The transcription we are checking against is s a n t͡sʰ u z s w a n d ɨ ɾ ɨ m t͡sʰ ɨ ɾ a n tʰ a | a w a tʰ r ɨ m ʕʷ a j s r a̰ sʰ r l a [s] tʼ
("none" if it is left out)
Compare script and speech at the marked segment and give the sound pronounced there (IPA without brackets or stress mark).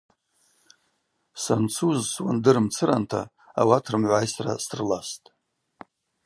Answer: s